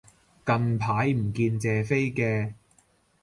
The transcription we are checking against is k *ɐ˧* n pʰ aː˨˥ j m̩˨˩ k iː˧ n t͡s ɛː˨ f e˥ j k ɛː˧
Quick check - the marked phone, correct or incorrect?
correct